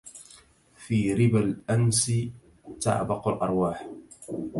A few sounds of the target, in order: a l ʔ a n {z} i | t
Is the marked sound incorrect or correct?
incorrect